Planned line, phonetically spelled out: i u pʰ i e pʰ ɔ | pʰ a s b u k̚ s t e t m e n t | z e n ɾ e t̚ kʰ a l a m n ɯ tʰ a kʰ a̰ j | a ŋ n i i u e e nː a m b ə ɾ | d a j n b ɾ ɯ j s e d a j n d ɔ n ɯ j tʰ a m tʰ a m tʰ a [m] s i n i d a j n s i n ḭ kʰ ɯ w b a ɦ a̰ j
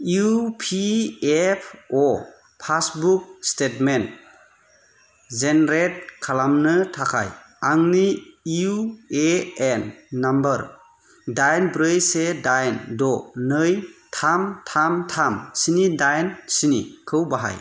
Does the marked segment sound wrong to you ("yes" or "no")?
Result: no